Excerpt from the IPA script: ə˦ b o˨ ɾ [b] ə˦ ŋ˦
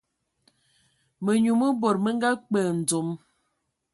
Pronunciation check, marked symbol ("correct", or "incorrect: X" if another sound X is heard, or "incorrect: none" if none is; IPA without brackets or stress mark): incorrect: m